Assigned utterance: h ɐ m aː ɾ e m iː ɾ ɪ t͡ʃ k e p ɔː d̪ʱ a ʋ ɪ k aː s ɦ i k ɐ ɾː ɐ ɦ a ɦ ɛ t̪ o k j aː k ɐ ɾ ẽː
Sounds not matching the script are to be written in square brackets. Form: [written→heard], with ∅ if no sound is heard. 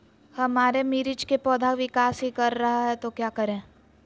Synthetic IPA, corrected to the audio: h ɐ m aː ɾ e m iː ɾ ɪ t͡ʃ k e p ɔː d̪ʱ a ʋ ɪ k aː s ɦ i k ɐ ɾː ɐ ɦ a ɦ ɛ t̪ o k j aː k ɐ ɾ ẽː